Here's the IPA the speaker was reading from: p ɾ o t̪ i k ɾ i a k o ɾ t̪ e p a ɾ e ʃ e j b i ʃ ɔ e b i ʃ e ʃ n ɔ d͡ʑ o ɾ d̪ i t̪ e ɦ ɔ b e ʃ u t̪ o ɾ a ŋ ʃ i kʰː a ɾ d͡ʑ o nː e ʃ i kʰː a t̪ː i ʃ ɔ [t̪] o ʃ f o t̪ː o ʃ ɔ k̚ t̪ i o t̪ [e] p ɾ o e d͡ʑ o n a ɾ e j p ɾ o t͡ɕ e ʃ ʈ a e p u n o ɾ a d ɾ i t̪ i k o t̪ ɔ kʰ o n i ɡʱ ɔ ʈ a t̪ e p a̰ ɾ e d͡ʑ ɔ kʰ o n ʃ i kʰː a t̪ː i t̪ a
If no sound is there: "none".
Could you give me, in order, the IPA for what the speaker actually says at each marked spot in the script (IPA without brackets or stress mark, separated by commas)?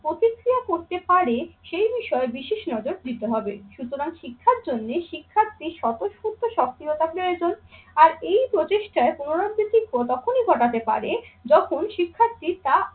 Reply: t̪, a